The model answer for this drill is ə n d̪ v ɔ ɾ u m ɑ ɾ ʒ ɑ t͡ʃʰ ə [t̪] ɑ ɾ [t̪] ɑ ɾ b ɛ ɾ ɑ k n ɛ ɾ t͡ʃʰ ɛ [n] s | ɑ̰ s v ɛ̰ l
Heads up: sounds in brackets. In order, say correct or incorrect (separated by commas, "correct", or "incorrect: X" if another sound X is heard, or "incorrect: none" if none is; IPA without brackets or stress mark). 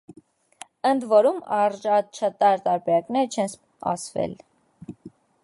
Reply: correct, correct, correct